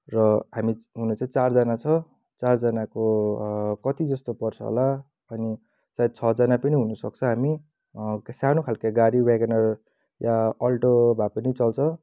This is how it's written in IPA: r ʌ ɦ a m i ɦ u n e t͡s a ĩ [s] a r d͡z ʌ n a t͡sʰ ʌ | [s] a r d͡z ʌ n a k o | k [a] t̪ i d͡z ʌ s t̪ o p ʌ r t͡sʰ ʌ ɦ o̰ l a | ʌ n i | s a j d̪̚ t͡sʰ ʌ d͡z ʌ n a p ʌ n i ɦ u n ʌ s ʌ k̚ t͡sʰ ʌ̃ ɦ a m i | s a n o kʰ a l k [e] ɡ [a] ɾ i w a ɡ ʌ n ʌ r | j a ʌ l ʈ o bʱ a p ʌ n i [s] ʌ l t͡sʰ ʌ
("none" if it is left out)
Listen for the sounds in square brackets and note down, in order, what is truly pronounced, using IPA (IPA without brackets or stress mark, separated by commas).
t͡s, t͡s, ʌ, a, a, t͡s